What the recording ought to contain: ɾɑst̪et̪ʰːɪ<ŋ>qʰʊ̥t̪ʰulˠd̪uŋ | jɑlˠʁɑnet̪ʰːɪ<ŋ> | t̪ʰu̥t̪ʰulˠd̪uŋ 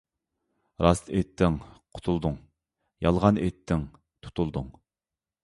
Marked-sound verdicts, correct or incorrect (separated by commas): correct, correct